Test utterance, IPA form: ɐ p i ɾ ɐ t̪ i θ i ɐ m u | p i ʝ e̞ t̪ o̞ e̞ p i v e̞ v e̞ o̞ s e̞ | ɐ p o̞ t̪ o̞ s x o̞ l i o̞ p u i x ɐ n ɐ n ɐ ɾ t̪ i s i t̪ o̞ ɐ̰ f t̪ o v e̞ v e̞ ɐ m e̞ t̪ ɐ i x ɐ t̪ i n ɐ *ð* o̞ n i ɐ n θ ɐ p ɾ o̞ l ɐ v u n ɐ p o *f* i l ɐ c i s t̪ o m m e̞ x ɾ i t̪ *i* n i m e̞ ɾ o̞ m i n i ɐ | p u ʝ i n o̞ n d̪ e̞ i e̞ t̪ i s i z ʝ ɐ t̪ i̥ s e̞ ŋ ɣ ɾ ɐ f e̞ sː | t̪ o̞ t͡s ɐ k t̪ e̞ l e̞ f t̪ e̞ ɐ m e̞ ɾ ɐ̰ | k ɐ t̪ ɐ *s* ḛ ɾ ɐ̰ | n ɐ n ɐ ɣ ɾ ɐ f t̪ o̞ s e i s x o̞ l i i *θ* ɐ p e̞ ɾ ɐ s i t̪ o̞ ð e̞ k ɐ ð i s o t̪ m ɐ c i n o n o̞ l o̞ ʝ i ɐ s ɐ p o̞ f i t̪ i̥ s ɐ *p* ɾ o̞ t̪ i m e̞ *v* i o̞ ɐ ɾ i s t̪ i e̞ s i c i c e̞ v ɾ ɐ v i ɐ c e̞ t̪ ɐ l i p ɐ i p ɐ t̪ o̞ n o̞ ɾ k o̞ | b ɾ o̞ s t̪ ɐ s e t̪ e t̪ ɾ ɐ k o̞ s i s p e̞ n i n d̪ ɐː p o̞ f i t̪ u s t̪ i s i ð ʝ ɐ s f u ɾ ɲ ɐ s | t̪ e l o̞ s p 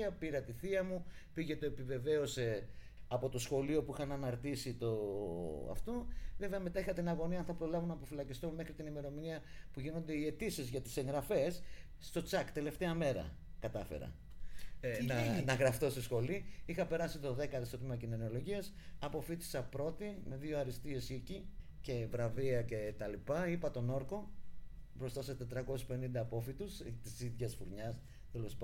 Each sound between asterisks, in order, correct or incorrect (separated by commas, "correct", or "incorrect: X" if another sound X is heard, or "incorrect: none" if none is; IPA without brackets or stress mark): incorrect: ɣ, correct, correct, incorrect: f, incorrect: x, correct, incorrect: ð